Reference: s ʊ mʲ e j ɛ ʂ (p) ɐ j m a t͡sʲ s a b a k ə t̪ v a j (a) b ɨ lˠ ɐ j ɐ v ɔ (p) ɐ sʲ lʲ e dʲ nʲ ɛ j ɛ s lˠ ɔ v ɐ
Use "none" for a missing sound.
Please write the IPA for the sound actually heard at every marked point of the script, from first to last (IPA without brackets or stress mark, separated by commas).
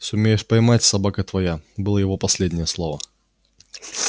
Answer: p, a, p